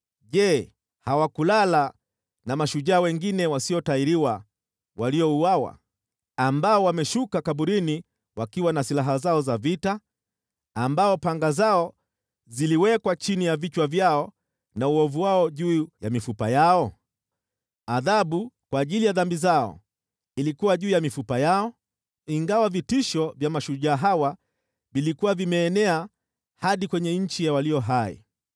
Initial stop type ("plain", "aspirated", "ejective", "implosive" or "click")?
implosive